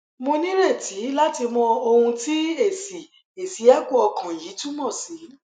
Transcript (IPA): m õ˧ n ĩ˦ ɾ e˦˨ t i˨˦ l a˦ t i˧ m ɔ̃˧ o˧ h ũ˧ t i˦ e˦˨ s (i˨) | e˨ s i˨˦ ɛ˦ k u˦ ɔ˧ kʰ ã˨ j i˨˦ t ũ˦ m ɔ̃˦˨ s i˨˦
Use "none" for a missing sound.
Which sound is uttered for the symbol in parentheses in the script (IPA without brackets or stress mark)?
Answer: i˨